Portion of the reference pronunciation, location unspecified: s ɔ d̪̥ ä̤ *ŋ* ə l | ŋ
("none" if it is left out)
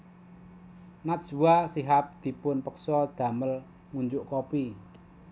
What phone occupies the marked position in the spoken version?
m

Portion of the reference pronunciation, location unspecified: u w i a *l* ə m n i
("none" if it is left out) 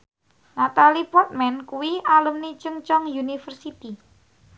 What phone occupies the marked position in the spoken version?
l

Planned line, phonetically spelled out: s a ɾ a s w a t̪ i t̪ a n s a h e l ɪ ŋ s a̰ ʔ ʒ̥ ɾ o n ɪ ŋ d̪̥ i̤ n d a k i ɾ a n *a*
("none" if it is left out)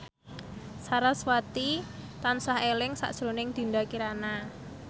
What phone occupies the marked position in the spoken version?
a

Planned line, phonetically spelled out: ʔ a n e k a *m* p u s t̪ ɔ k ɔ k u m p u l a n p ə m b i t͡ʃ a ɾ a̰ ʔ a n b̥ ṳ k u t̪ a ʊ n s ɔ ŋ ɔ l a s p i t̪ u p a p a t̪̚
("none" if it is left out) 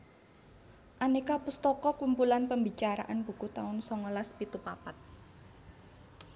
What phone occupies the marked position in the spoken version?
none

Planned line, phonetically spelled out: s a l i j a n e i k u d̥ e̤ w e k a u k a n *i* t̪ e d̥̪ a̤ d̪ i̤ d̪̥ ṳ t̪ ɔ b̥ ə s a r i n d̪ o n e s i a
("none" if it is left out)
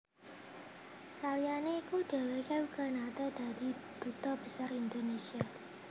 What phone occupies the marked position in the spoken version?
a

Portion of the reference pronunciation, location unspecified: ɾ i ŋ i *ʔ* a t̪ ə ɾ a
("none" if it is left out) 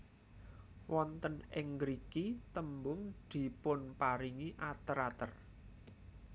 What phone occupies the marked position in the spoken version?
ʔ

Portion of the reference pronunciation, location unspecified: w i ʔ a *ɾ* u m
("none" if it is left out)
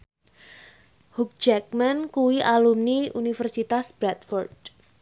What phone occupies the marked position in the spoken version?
l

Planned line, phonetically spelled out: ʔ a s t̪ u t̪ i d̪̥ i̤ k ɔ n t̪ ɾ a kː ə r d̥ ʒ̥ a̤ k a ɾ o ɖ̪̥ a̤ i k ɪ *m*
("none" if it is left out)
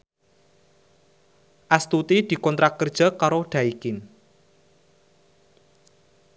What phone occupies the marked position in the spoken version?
n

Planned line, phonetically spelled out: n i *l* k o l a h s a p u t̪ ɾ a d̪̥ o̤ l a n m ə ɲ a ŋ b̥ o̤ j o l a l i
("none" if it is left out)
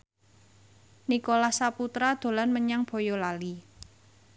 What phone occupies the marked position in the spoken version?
none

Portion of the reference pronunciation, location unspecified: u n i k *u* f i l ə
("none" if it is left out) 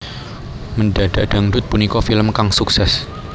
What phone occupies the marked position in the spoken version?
ɔ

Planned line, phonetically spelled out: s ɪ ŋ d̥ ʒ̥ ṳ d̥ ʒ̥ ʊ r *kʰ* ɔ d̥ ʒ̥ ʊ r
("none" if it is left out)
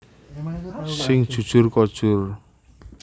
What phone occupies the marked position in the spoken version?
k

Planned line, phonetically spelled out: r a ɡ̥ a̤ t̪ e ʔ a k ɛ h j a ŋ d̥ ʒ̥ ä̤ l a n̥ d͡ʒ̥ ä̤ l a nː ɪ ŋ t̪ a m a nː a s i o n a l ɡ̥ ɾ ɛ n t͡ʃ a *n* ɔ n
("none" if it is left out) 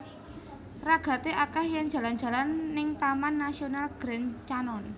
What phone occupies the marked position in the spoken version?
n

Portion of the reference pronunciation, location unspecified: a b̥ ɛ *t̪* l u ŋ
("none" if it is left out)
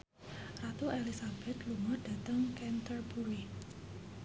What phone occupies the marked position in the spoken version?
t̪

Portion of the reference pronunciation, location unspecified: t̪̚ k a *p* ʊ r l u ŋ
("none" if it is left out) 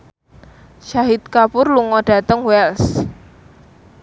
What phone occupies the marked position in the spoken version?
p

